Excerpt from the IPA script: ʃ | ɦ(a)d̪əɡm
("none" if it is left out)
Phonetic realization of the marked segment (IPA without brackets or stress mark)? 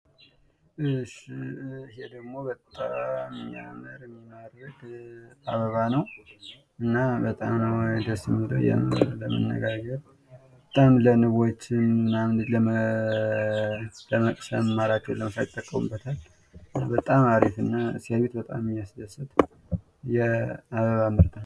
e